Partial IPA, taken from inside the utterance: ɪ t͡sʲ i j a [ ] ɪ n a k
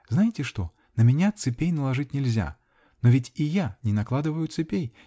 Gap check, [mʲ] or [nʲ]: nʲ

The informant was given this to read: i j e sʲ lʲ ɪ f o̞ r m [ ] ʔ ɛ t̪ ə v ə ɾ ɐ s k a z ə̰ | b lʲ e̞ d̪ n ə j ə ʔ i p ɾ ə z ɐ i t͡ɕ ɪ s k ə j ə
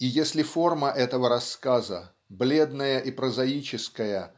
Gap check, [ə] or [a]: ə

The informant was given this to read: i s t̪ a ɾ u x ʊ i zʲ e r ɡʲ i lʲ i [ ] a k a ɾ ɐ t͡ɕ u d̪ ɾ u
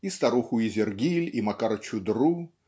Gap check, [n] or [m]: m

